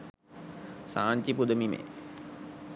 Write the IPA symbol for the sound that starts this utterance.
s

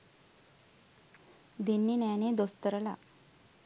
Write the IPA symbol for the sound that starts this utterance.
d̪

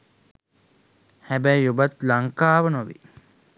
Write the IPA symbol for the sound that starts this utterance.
h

